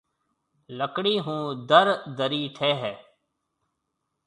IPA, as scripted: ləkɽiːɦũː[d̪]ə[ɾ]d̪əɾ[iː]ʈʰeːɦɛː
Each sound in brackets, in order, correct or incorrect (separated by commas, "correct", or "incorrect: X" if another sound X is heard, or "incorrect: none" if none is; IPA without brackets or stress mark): correct, correct, correct